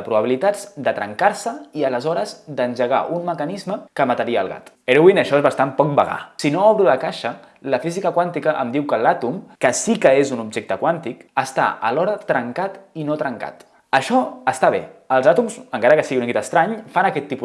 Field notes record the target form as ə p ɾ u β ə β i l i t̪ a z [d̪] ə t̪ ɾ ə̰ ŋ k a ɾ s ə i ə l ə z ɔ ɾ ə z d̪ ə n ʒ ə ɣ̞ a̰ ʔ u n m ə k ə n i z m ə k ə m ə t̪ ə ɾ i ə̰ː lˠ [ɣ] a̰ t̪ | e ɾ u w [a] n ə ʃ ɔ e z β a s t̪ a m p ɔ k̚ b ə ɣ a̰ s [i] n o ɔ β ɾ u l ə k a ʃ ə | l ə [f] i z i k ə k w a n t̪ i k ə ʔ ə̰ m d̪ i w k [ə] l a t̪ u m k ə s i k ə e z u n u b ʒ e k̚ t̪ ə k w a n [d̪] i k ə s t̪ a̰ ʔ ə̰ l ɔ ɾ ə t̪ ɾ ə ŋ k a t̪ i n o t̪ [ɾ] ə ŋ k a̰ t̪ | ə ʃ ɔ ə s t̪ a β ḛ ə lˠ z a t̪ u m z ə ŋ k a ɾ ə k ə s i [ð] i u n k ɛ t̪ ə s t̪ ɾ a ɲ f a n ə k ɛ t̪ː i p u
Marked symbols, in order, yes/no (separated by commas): yes, yes, no, yes, yes, yes, no, yes, no